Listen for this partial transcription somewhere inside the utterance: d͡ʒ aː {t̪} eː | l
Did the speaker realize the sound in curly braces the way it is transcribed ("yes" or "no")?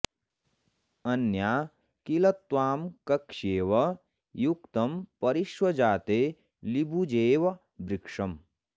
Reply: yes